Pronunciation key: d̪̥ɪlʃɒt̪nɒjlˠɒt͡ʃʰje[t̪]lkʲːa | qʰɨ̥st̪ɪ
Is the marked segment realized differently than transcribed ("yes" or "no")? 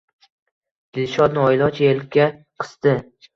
yes